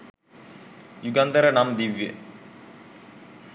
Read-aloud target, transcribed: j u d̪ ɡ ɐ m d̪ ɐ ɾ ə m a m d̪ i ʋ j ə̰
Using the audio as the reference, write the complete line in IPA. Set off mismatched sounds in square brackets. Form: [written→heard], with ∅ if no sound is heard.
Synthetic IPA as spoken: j u [d̪→∅] ɡ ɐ [m→n] d̪ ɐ ɾ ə [m→n] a m d̪ i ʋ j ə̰